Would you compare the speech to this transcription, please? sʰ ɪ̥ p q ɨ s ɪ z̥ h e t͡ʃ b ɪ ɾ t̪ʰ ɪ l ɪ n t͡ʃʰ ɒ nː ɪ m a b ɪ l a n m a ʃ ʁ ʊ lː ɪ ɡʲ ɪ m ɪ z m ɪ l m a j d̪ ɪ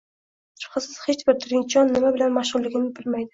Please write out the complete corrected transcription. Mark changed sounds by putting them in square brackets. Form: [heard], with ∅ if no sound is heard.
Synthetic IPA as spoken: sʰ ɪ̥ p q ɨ s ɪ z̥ h e t͡ʃ b ɪ ɾ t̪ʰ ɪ [ɾ] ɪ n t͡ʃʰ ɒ nː ɪ m a b ɪ l a n m a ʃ ʁ ʊ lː ɪ ɡʲ ɪ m ɪ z [b] ɪ l m a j d̪ ɪ